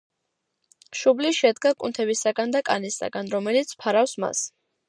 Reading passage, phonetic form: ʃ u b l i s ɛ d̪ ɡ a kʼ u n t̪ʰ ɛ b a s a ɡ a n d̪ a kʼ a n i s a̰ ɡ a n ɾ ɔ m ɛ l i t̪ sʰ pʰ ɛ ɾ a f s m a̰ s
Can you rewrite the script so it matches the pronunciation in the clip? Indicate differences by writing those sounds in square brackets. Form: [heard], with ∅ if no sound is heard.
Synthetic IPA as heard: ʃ u b l i [ʃ] ɛ d̪ ɡ a kʼ u n t̪ʰ ɛ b [i] s a ɡ a n d̪ a kʼ a n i s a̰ ɡ a n ɾ ɔ m ɛ l i t̪ sʰ pʰ [a] ɾ a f s m a̰ s